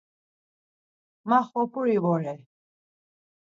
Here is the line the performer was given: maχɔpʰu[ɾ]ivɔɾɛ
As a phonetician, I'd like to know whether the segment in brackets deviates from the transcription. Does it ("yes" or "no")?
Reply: no